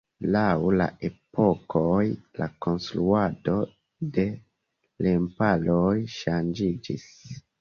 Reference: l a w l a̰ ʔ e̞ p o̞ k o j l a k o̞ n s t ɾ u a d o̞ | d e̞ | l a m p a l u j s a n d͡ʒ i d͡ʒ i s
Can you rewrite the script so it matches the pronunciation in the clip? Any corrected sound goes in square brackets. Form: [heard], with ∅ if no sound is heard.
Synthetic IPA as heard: l a w l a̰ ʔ e̞ p o̞ k o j l a k o̞ n s t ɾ u a d o̞ | d e̞ | l [e] m p a l [o] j [ʃ] a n d͡ʒ i d͡ʒ i s